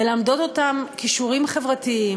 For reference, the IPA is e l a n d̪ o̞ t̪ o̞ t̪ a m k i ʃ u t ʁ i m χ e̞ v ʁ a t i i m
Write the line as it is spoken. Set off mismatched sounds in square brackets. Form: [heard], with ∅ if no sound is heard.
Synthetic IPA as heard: e l a [m] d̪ o̞ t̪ o̞ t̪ a m k i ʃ u [∅] ʁ i m χ e̞ v ʁ a t i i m